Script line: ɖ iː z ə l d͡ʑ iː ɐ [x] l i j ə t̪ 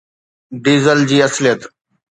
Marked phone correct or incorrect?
incorrect